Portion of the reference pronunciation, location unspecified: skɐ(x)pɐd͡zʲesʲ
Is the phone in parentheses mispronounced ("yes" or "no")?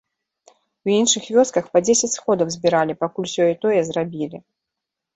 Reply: no